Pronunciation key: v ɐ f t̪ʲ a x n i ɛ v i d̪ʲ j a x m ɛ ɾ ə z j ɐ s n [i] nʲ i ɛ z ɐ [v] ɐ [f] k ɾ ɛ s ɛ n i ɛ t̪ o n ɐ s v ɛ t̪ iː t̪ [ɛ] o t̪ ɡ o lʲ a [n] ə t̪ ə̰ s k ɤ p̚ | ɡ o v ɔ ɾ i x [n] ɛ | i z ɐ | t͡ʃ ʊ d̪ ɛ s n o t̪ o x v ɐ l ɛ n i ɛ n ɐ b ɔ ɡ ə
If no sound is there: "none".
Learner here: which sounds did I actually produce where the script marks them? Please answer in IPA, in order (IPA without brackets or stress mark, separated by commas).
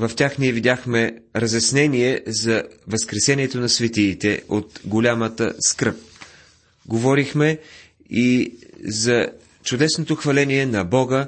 ɛ, v, s, ɛ, m, m